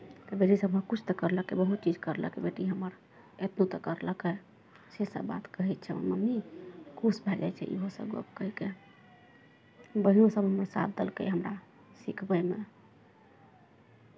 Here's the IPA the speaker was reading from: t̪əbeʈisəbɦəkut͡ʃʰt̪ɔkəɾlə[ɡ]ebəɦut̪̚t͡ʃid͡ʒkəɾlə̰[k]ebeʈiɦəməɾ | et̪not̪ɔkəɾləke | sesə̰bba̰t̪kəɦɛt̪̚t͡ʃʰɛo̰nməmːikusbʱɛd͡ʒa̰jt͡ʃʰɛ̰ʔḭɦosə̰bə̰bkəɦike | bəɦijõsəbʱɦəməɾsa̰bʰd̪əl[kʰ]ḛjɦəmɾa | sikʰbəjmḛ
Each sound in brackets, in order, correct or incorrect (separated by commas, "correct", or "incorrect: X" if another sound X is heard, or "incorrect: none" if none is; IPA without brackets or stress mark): incorrect: k, correct, incorrect: k